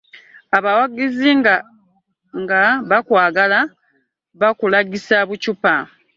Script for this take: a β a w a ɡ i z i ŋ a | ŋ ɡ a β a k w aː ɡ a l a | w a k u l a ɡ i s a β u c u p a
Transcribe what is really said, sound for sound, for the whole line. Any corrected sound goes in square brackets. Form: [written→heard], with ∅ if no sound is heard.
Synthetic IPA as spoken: a β a w a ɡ i z i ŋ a | ŋ ɡ a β a k w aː ɡ a l a | [w→β] a k u l a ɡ i s a β u c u p a